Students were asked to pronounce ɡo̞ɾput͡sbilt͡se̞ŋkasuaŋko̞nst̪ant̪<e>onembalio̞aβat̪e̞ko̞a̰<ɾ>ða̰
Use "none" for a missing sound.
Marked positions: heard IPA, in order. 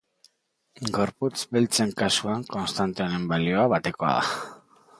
e, none

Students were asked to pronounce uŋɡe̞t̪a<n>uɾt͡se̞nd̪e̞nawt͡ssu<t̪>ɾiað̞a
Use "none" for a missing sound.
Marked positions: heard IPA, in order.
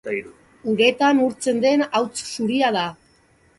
n, none

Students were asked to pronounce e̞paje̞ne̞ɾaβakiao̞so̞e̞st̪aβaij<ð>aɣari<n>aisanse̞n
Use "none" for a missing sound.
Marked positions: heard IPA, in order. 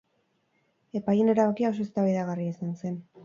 ð, none

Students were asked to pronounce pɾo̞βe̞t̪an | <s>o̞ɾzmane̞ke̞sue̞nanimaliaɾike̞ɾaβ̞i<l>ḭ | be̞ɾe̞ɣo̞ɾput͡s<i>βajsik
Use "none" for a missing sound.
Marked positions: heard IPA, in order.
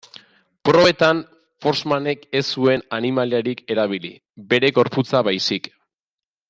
f, l, a

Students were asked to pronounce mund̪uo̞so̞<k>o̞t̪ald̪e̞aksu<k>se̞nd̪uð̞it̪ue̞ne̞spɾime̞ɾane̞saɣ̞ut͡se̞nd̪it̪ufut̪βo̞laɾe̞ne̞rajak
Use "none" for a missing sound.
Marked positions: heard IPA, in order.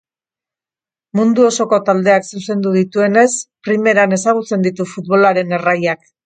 k, none

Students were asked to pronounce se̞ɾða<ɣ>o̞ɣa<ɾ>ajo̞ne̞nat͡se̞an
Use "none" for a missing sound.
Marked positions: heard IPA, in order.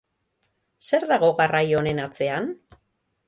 ɣ, r

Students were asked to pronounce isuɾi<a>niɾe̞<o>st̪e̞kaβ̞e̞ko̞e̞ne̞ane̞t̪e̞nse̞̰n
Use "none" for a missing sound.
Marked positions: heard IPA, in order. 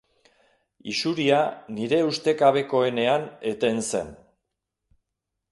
a, u

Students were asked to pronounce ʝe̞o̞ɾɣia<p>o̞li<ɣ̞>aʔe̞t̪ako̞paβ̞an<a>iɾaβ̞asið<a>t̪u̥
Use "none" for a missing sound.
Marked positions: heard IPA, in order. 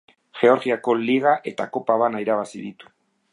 k, ɣ̞, a, i

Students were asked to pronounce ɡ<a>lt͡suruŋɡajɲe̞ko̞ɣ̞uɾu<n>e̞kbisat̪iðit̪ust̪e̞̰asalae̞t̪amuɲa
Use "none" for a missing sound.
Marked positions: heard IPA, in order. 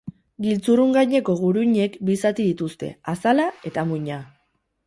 i, ɲ

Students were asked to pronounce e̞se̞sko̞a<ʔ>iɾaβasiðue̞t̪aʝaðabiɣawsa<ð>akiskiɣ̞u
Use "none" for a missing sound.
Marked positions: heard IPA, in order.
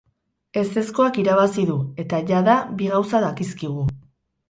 k, ð

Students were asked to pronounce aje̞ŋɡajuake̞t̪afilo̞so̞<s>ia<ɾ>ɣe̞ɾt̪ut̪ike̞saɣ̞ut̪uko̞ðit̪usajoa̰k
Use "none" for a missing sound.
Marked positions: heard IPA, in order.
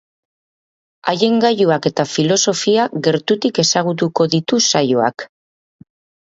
f, none

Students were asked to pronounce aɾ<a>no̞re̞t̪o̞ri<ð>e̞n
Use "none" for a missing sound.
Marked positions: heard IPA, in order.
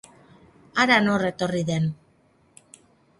a, ð

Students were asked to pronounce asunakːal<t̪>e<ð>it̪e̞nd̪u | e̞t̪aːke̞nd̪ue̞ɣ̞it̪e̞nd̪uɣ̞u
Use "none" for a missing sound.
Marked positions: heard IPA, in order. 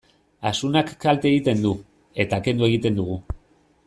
t̪, ɣ

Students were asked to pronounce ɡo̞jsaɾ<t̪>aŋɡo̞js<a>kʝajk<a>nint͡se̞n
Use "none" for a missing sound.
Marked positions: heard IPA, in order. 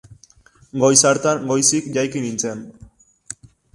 t̪, i, i

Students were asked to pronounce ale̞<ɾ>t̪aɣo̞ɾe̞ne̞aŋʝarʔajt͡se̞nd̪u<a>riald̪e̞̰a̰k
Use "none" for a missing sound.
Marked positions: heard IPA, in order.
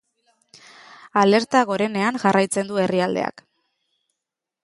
ɾ, e

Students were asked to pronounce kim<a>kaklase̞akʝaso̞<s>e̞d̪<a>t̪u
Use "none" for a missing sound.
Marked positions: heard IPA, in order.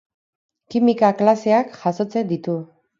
i, t͡s, i

